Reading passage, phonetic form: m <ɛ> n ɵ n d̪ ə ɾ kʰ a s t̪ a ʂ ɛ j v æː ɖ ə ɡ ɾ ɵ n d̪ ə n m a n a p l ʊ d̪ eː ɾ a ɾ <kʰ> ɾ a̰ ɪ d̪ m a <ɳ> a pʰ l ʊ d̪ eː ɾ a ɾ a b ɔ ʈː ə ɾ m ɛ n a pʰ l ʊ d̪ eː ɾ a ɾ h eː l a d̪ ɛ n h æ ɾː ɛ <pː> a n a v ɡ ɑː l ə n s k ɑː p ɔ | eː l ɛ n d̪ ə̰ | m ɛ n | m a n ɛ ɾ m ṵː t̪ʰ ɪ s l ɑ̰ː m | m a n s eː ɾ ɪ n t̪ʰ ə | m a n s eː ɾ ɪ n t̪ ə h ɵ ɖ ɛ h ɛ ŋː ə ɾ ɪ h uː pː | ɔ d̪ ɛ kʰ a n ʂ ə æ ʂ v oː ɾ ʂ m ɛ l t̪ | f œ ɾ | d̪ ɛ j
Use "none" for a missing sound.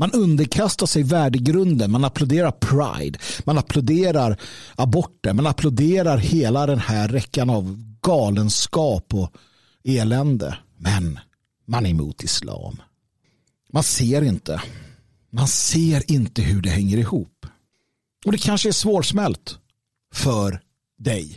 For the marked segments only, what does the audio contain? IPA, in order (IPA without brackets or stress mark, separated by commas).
a, pʰ, n, kː